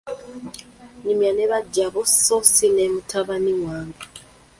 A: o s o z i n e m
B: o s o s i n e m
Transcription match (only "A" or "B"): B